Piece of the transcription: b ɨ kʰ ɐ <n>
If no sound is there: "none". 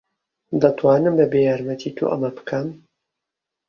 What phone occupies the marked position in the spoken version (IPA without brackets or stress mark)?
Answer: m